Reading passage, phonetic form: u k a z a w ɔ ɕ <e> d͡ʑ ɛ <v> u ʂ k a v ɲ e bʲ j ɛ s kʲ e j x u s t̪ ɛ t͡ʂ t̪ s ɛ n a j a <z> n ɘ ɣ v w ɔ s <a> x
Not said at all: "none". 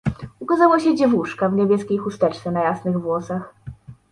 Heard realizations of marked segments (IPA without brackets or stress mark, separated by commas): ɛ, v, s, a